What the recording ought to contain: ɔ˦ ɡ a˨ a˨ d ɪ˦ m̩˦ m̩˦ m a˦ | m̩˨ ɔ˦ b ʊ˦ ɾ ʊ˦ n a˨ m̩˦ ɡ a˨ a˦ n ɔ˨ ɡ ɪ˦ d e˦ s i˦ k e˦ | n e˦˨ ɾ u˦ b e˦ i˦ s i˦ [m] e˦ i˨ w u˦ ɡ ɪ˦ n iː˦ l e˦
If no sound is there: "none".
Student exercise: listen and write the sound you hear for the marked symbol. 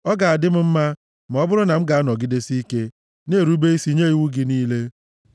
ɲ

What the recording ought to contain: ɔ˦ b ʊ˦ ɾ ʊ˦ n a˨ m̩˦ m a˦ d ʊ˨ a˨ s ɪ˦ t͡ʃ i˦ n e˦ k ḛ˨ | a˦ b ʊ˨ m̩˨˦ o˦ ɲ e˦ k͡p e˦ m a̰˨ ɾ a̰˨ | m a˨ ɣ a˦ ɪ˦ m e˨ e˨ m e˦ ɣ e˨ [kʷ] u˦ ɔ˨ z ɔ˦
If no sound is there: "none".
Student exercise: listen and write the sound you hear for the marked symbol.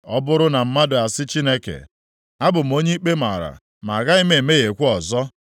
kʷ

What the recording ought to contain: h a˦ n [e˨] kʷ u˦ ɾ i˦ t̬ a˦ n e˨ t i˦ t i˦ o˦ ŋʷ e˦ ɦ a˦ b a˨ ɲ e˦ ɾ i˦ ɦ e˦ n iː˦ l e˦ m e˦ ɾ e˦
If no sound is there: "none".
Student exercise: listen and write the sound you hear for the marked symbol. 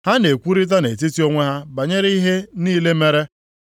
e˨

